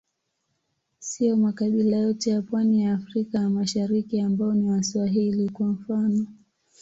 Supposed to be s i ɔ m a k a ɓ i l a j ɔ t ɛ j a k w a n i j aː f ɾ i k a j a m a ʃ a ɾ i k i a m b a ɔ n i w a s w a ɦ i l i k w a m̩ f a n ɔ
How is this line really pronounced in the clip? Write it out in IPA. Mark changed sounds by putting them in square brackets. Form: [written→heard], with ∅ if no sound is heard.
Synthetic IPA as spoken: s i ɔ m a k a ɓ i l a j ɔ t ɛ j a [k→p] w a n i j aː f ɾ i k a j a m a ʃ a ɾ i k i a m b a ɔ n i w a s w a ɦ i l i k w a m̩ f a n ɔ